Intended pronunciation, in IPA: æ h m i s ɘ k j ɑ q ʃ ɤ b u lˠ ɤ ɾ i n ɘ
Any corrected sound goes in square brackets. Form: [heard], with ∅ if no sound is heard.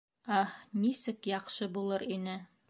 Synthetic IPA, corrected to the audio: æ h [n] i s ɘ k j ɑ q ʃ ɤ b u lˠ ɤ ɾ i n ɘ